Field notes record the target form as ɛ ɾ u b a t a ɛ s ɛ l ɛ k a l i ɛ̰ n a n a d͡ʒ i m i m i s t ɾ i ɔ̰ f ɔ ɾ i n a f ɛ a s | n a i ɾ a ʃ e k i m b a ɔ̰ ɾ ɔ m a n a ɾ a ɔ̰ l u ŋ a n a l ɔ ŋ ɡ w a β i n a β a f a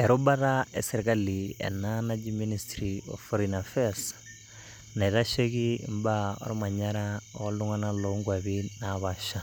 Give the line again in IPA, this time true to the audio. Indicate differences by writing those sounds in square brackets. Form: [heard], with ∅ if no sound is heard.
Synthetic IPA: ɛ ɾ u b a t a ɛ s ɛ [ɾ] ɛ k a l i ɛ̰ n a n a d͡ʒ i m i [n] i s t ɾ i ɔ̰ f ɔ ɾ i n a f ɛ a s | n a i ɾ a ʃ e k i m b a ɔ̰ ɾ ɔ m a [ɲ] a ɾ a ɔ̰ l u ŋ a n a l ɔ ŋ ɡ w a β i n a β a [ʃ] a